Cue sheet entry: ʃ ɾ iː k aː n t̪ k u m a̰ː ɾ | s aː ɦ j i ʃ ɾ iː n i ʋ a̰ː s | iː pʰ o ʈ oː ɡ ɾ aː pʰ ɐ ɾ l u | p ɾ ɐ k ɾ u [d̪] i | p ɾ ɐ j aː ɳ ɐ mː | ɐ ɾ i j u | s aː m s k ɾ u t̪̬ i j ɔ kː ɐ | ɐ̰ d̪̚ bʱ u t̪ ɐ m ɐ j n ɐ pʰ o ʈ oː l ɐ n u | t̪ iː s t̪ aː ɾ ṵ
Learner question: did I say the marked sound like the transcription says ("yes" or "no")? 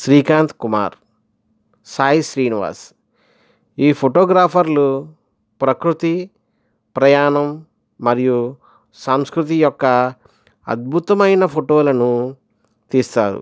no